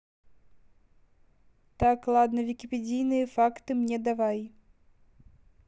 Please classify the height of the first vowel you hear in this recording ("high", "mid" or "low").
low